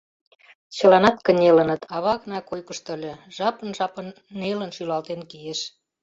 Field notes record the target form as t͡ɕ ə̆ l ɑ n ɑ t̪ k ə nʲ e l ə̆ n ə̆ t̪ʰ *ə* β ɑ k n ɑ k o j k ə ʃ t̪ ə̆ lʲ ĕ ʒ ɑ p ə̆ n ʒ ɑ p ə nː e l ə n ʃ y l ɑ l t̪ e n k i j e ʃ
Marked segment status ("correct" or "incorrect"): incorrect